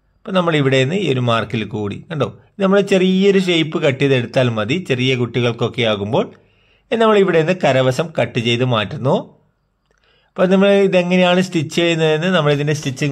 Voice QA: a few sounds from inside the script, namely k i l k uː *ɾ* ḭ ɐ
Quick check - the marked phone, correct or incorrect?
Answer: incorrect: ɽ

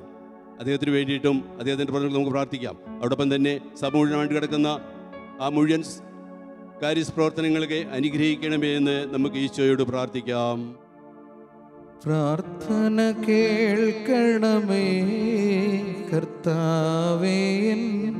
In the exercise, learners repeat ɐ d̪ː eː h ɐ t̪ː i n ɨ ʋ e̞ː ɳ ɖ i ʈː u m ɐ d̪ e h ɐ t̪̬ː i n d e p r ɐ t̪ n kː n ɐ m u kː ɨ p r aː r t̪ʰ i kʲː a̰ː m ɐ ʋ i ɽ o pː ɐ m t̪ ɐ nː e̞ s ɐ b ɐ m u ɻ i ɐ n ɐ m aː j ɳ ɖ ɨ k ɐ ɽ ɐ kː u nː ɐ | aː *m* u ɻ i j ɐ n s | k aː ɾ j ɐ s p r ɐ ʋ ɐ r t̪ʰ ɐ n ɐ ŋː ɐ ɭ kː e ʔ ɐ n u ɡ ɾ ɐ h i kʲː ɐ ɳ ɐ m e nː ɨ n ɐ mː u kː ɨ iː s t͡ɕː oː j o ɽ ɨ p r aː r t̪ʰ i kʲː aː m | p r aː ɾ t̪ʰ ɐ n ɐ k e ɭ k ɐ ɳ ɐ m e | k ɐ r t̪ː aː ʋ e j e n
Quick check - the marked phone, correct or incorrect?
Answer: correct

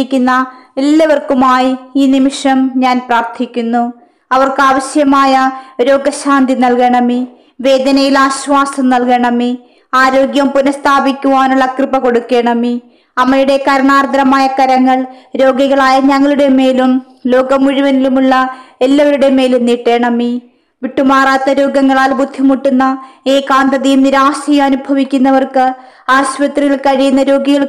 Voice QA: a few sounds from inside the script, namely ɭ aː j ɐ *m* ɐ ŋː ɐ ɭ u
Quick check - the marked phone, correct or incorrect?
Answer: incorrect: ɲ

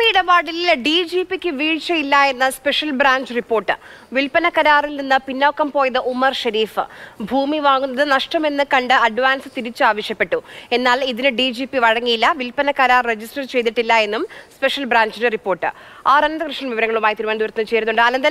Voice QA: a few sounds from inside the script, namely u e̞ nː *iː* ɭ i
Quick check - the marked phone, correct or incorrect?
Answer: incorrect: aː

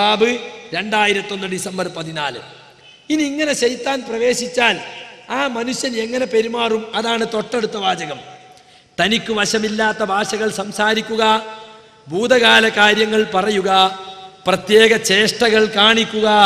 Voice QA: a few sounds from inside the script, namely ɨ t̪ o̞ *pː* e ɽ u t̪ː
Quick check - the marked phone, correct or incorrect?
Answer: incorrect: ʈː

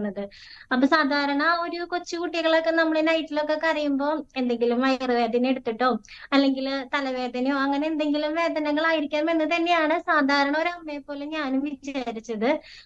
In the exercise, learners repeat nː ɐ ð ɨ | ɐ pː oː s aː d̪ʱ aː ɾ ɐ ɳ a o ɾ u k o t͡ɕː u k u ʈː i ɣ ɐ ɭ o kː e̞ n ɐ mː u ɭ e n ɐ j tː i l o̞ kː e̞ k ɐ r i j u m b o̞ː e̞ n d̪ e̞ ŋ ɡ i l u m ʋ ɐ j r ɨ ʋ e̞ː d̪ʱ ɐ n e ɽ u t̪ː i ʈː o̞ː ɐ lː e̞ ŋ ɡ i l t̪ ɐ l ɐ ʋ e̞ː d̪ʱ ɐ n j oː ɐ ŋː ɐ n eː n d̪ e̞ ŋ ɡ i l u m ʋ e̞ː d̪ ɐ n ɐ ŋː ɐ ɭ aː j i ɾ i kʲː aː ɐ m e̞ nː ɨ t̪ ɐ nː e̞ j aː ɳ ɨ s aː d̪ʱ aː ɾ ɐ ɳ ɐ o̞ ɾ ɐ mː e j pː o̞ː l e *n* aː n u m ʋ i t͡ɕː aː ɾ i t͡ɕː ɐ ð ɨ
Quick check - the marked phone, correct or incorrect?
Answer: incorrect: ɲ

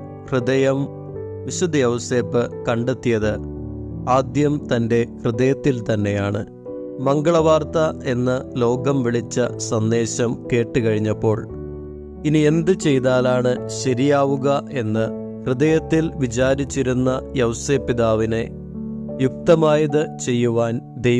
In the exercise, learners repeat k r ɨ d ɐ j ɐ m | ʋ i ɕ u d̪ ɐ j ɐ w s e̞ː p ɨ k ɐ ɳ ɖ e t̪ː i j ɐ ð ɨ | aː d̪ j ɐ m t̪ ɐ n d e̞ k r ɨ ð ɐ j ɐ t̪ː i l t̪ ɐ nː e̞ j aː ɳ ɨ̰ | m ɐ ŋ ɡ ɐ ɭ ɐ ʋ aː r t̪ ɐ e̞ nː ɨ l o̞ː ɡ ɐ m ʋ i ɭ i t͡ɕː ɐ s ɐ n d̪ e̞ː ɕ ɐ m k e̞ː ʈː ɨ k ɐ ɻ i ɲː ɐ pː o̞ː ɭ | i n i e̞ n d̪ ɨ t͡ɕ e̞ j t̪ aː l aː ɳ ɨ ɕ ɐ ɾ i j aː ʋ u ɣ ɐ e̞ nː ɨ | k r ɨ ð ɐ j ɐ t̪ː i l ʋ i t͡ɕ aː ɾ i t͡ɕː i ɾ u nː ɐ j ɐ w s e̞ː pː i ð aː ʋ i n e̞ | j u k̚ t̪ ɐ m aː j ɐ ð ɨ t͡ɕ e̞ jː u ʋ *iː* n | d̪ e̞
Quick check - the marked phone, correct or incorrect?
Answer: incorrect: aː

